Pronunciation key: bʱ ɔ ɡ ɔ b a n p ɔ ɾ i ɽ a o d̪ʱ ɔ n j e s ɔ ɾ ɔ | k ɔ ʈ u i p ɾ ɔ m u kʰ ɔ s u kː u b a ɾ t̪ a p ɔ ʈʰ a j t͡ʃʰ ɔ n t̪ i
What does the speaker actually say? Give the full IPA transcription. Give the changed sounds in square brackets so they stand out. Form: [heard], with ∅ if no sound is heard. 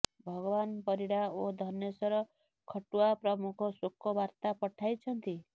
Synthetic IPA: bʱ ɔ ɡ ɔ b a n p ɔ ɾ i ɽ a o d̪ʱ ɔ n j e s ɔ ɾ ɔ | [kʰ] ɔ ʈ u [a] p ɾ ɔ m u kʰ ɔ s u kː [ɔ] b a ɾ t̪ a p ɔ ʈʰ a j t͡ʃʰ ɔ n t̪ i